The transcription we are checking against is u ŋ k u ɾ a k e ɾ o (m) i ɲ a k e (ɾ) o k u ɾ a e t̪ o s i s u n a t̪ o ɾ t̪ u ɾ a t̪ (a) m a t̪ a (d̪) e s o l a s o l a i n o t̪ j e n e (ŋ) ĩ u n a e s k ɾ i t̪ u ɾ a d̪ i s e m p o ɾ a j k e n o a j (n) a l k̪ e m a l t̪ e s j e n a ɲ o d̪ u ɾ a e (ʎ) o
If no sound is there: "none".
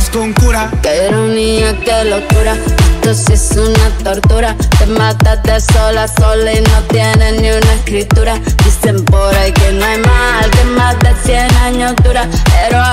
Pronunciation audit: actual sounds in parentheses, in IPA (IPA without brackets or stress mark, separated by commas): n, l, e, t̪, n, m, ɾ